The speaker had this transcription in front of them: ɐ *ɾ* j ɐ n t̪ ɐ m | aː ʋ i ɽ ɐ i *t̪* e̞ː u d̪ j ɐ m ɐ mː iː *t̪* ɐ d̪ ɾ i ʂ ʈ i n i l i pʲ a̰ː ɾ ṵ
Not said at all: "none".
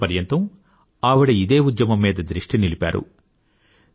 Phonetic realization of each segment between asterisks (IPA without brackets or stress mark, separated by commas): ɾ, d̪, d̪